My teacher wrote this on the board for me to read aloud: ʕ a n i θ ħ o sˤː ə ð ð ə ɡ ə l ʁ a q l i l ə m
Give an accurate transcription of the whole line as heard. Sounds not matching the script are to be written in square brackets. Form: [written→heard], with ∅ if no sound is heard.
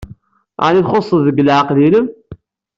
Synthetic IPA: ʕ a n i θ [ħ→χ] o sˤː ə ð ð ə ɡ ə l [ʁ→ʕ] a q l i l ə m